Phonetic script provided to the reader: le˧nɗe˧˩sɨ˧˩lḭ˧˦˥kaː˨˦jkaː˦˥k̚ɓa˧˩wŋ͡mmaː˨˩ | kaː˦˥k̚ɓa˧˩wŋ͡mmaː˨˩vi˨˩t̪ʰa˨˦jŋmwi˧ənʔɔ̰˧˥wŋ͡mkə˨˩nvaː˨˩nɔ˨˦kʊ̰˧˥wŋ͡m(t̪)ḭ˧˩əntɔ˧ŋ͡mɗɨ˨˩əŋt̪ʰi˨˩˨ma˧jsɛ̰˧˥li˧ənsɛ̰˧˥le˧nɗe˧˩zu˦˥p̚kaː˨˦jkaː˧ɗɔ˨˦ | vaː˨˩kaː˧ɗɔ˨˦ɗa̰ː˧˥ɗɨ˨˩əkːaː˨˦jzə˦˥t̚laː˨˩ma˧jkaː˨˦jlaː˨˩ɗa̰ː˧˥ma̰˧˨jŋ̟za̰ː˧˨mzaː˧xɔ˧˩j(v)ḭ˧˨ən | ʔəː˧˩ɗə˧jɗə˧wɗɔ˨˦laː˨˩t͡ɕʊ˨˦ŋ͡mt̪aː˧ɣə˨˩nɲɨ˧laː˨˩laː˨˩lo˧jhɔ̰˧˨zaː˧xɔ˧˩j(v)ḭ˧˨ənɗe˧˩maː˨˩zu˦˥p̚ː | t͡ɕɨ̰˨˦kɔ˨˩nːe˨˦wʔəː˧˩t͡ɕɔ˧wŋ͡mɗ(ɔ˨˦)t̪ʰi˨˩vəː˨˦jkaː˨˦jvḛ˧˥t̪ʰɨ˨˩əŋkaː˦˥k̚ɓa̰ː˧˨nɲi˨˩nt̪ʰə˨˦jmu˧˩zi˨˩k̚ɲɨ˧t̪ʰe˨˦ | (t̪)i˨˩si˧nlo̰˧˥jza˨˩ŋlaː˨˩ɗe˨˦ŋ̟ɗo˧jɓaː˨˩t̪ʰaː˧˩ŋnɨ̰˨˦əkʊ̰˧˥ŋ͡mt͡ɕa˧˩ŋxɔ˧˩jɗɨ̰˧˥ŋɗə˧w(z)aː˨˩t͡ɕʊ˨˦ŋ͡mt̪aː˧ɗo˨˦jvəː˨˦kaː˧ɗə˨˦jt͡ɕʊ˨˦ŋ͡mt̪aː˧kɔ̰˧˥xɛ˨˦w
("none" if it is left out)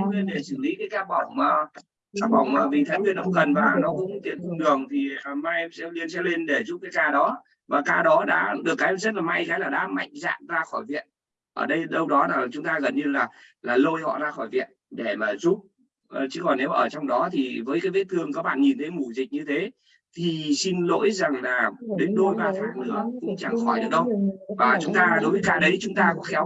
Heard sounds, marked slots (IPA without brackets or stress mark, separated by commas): t̪, v, v, ɔ˨˦, t̪ʰ, v